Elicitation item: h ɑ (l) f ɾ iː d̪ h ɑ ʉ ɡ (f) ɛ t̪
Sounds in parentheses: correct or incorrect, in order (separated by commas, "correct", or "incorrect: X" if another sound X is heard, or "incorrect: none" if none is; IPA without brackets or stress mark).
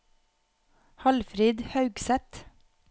correct, incorrect: s